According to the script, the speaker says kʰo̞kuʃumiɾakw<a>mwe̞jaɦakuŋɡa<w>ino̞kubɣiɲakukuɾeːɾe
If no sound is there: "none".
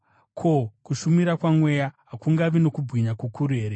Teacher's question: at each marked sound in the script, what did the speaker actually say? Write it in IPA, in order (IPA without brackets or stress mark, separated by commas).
a, ʋ